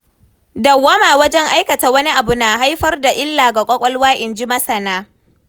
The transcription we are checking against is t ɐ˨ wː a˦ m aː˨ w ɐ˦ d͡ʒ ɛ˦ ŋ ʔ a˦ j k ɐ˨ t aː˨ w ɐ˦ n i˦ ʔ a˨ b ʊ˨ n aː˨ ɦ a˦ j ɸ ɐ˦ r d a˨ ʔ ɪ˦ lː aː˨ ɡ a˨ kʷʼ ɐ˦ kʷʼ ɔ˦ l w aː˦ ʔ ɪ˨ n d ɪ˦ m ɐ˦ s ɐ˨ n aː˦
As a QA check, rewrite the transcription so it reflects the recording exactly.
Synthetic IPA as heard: d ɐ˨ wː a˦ m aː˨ w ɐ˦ d͡ʒ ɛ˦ ŋ ʔ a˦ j k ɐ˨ t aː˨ w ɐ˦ n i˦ ʔ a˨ b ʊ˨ n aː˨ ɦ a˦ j ɸ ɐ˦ r d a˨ ʔ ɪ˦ lː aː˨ ɡ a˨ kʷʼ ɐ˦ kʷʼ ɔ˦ l w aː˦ ʔ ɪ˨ n d͡ʒ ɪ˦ m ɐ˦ s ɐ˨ n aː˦